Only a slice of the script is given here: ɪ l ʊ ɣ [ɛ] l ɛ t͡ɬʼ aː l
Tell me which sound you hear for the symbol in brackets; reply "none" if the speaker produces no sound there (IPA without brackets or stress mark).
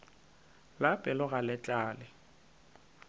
a